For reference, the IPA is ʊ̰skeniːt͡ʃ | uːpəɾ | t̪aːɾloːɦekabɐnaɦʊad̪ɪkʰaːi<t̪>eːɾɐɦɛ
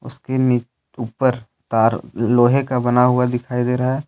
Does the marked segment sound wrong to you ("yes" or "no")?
yes